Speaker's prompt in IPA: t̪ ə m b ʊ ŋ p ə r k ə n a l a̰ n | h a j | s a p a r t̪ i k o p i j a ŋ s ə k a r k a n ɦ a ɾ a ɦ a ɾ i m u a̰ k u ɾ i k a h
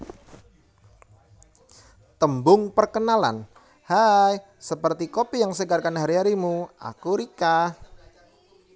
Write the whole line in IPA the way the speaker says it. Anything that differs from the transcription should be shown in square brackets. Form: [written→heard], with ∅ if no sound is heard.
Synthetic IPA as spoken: t̪ ə m b ʊ ŋ p ə r k ə n a l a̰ n | h a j | s [a→ə] p [a→ə] r t̪ i k o p i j a ŋ s ə [k→ɡ] a r k a n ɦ a ɾ [a→i] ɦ a ɾ i m u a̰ k u ɾ i k a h